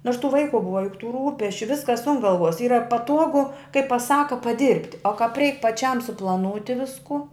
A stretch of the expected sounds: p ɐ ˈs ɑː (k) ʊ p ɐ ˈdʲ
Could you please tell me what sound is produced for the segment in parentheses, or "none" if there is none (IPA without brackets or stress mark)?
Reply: k